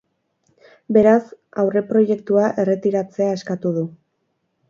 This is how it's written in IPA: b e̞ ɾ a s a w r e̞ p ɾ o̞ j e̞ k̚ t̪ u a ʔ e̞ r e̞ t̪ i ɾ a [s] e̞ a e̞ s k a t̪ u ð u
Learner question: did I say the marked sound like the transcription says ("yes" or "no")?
no